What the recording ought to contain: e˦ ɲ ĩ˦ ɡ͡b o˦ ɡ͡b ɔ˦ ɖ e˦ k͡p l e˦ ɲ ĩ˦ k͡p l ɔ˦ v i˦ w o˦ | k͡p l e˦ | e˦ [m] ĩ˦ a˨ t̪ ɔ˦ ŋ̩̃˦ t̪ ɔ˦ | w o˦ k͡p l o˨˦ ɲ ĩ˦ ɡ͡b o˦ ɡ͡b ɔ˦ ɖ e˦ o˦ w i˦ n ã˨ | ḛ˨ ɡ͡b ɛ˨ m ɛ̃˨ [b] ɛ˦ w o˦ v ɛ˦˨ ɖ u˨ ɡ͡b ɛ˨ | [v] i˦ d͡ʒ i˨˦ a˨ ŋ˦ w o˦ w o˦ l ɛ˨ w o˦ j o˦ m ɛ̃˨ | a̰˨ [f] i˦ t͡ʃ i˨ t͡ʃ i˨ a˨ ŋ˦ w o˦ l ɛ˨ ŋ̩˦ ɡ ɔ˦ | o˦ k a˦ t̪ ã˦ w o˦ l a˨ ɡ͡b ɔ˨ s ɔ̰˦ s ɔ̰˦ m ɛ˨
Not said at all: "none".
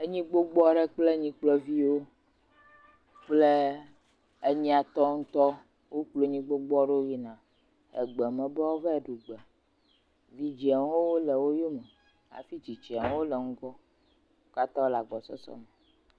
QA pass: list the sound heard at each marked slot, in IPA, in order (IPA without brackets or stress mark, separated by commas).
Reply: ɲ, b, v, f